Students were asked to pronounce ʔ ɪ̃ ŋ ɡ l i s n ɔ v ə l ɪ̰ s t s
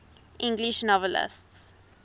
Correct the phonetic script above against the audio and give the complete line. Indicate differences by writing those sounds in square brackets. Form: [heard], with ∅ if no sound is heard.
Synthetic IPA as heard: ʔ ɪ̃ ŋ ɡ l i [ʃ] n ɔ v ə l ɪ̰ s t s

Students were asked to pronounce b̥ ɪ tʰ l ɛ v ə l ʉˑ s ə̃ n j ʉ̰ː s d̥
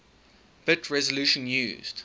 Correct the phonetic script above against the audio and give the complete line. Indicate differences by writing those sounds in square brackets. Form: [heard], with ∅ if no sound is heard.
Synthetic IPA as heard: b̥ ɪ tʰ [ɹ] ɛ [z] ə l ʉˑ [ʃ] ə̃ n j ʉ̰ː [z] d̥

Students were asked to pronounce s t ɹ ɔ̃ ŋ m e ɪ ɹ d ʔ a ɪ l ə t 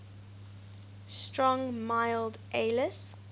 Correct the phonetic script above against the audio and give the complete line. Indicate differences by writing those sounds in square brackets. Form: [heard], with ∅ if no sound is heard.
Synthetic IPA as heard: s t ɹ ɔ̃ ŋ m [a] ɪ [l] d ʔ [e] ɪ l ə [s]

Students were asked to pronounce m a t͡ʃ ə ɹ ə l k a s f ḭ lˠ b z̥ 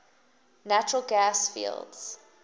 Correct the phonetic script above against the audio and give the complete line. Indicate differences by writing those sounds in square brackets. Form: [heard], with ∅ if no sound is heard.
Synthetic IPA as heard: [n] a t͡ʃ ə ɹ ə l [ɡ] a s f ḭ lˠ [d] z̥

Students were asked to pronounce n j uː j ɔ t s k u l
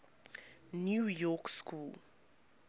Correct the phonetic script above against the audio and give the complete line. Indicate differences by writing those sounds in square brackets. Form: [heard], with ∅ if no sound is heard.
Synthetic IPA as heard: n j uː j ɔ [k] s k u l

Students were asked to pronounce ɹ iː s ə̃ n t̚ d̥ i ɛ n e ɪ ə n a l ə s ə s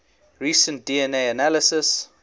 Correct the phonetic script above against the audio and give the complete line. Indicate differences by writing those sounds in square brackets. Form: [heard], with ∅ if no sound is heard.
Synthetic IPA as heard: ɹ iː s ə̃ n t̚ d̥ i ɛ n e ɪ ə n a l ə s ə s

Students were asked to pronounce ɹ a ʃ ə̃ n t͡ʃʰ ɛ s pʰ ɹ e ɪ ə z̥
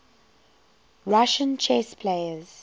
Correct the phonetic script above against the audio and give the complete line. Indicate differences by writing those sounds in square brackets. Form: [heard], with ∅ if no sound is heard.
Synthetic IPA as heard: ɹ a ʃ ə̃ n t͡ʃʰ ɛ s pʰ [l] e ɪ ə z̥

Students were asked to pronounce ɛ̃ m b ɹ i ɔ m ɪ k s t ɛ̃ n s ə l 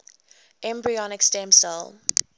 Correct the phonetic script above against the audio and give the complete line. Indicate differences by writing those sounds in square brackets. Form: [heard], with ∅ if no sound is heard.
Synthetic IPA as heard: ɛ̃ m b ɹ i ɔ [n] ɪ k s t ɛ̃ [m] s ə l

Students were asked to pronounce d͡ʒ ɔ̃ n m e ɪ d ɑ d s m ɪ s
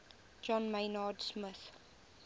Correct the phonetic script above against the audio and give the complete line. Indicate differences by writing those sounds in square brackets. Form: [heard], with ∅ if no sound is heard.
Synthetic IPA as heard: d͡ʒ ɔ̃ n m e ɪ [n] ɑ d s m ɪ [θ]

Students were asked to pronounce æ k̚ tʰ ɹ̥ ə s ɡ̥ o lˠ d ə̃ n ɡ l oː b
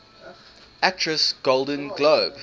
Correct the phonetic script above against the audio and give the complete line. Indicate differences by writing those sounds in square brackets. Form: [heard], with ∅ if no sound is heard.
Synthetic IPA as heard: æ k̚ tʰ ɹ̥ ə s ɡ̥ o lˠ d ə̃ n ɡ l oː b

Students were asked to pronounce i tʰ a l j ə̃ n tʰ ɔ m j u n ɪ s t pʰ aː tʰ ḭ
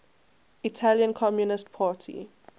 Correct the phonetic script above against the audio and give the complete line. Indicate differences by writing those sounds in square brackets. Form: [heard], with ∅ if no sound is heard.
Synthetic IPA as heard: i tʰ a l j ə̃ n [kʰ] ɔ m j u n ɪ s t pʰ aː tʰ ḭ

